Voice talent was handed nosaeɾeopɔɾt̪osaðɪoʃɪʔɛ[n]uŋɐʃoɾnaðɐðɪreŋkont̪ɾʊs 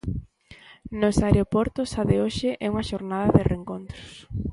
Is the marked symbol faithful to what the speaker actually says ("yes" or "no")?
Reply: no